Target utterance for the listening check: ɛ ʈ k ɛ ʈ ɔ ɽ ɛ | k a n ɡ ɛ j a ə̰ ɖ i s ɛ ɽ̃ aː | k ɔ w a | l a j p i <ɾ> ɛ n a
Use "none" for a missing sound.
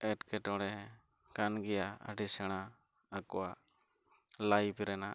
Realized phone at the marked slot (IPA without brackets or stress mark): ɾ